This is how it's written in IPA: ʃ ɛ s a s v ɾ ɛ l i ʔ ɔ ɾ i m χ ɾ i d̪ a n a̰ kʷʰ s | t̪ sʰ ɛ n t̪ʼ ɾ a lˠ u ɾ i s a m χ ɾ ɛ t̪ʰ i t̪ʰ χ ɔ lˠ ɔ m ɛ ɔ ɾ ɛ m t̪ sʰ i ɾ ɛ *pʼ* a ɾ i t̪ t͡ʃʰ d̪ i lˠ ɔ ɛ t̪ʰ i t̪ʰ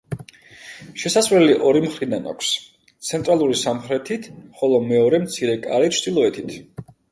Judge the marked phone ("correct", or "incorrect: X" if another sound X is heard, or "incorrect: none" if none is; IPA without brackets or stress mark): incorrect: kʼ